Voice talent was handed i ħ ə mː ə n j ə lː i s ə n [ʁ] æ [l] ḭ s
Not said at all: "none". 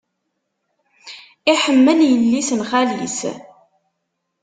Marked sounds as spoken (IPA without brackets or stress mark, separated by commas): χ, l